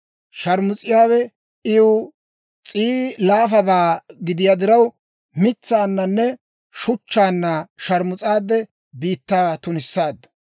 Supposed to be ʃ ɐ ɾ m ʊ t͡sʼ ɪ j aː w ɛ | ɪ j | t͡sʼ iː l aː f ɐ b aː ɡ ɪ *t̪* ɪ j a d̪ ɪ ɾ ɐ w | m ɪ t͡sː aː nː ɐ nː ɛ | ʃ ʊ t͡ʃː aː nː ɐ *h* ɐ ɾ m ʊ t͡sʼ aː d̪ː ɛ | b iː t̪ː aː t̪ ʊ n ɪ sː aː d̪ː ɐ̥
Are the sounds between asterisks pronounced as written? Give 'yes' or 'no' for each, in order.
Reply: no, no

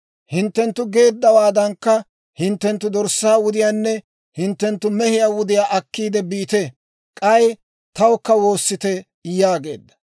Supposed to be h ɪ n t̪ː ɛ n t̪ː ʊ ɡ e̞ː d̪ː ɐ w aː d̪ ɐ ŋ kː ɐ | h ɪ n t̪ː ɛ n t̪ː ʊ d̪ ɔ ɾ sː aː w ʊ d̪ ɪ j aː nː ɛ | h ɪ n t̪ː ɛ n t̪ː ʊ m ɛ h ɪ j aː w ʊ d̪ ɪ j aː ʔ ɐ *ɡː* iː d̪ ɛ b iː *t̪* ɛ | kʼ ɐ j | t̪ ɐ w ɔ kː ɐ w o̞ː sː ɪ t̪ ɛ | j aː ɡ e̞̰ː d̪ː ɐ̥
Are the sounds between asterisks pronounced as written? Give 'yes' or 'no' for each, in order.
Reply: no, yes

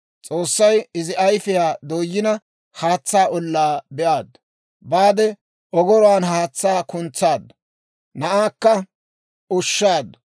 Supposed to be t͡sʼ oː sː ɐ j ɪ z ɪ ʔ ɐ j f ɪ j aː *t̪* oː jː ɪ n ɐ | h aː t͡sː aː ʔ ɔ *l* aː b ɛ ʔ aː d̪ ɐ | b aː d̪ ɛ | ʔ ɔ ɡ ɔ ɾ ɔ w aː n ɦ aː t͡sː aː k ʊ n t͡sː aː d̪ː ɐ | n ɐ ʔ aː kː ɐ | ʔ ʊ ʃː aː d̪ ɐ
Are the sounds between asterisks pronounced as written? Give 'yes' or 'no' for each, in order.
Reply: no, no

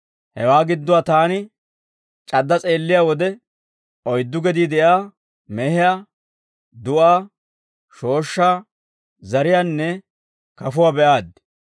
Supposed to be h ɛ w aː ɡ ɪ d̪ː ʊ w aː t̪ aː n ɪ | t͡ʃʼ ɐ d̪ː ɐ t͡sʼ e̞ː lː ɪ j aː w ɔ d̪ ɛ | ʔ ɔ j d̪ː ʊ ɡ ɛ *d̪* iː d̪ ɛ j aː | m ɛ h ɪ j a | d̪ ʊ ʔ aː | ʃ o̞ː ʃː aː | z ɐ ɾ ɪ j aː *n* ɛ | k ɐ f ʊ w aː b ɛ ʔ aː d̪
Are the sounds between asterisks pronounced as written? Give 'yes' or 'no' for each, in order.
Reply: yes, no

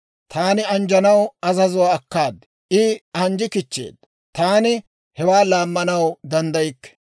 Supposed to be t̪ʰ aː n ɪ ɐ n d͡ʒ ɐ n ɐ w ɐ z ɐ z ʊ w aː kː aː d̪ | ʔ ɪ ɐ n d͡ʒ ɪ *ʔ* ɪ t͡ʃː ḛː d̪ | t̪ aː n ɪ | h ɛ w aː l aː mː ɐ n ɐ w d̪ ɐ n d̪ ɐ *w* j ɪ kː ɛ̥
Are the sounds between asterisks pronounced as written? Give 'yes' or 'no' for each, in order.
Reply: no, no

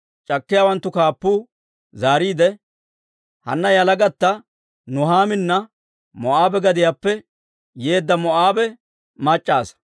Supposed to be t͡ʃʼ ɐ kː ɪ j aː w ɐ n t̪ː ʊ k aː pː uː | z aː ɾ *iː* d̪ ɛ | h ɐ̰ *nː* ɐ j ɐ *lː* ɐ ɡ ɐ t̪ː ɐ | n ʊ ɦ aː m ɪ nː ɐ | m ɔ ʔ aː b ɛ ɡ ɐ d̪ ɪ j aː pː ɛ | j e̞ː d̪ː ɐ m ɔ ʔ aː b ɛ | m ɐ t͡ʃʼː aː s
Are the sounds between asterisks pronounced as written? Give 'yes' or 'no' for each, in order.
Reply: yes, yes, no

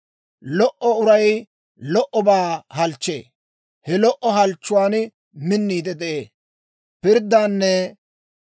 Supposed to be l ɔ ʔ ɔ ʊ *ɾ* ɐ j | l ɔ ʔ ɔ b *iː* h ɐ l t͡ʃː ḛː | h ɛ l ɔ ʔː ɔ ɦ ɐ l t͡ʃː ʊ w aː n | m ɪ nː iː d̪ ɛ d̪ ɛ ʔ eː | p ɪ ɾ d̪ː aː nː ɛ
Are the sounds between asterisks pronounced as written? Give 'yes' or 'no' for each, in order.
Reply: yes, no

